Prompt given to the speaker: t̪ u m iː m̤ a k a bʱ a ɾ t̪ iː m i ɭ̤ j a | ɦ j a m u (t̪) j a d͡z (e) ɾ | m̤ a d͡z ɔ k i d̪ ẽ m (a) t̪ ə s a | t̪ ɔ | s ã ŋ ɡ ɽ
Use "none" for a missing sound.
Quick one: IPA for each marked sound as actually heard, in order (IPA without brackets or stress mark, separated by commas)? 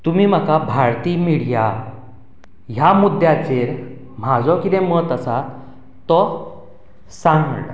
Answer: d̪, e, ə